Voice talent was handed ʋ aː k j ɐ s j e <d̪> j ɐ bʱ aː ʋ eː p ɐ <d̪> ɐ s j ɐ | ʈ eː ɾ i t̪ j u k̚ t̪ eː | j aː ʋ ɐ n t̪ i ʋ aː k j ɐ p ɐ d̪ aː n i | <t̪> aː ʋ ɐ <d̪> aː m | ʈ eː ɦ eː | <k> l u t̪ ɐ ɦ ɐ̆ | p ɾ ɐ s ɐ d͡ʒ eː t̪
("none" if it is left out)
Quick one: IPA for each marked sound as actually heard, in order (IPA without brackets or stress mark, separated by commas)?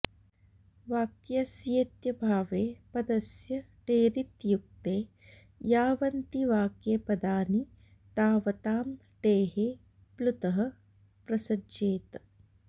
t̪, d̪, t̪, t̪, p